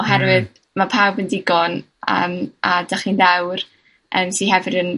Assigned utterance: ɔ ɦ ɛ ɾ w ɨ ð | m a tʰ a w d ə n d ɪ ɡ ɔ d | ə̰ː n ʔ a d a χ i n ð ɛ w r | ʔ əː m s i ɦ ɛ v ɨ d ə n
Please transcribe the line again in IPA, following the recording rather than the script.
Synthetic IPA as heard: ɔ ɦ ɛ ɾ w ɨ ð | m a pʰ a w b ə n d ɪ ɡ ɔ n | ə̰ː m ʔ a d a χ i n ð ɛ w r | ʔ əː m s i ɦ ɛ v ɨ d ə n